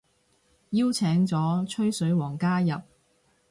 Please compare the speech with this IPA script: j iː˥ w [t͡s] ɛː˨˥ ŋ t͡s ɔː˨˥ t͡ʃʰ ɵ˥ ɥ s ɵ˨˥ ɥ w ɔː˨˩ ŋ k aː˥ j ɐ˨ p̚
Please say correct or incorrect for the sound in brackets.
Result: incorrect